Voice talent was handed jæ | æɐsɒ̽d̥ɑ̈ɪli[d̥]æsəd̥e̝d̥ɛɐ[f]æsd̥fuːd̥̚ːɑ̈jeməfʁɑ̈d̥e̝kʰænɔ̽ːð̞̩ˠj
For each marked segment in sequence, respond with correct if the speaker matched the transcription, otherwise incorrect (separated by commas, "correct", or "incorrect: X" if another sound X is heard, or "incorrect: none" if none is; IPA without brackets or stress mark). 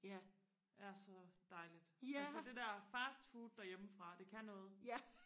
correct, correct